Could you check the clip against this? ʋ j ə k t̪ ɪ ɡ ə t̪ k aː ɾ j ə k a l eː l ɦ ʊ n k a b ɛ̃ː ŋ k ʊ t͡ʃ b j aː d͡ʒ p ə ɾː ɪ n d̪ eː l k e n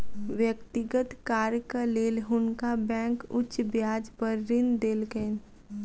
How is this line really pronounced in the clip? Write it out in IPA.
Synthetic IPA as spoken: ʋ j ə k t̪ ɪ ɡ ə t̪ k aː ɾ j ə k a l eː l ɦ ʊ n k a b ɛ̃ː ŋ k ʊ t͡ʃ b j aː d͡ʒ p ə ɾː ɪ n d̪ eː l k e n